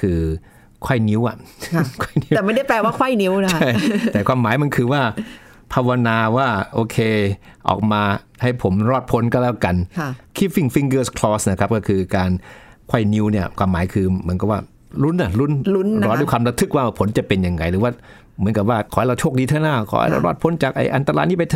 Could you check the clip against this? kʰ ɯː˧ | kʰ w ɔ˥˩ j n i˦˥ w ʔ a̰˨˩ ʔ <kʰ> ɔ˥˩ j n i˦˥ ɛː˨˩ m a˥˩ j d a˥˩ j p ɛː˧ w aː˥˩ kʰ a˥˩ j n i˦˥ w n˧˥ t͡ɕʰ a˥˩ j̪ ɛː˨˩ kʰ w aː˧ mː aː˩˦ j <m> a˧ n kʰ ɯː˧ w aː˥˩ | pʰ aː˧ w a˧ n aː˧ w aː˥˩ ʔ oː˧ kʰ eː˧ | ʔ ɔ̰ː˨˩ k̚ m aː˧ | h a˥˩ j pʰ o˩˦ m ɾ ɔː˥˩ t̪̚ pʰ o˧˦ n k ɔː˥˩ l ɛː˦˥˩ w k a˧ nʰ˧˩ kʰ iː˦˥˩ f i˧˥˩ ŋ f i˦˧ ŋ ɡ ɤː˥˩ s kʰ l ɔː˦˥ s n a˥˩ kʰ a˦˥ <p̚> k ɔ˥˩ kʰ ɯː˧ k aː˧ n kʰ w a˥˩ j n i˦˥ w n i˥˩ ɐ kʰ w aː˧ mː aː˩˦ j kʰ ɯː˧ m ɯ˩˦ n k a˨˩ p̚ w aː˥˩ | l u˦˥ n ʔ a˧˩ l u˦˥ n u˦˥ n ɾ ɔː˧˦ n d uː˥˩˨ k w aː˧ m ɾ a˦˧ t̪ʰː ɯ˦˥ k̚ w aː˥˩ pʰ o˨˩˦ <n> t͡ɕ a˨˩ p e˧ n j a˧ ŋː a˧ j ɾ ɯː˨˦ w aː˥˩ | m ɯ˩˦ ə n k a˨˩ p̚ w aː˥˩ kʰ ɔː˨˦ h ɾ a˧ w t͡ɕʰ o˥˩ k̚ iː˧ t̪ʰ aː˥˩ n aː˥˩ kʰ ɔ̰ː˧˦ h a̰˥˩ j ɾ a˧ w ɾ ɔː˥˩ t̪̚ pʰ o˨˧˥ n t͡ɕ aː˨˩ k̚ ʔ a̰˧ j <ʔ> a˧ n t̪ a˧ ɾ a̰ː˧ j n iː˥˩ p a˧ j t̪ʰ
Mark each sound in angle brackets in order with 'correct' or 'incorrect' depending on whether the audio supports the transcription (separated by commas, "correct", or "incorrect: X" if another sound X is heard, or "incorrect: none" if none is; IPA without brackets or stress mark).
correct, correct, correct, correct, correct